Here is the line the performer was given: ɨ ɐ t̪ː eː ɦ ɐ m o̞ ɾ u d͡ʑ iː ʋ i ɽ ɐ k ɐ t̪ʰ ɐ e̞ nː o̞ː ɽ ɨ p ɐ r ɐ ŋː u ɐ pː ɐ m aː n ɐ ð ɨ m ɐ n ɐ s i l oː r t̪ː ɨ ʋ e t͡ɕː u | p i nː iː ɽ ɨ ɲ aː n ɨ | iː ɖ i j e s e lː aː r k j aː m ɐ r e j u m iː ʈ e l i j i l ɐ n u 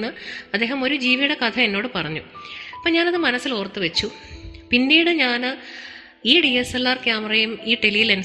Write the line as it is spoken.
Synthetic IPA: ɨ ɐ d̪ː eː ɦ ɐ m o̞ ɾ u d͡ʑ iː ʋ i ɽ ɐ k ɐ t̪ʰ ɐ e̞ nː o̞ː ɽ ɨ p ɐ r ɐ ɲː u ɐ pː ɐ ɲ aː n ɐ ð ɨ m ɐ n ɐ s i l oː r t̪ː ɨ ʋ e t͡ɕː u | p i nː iː ɽ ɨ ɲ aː n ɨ | iː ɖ i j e s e lː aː r k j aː m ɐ r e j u m iː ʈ e l i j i l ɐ n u